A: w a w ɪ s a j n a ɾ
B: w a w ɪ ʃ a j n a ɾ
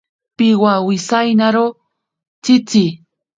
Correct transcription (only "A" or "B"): A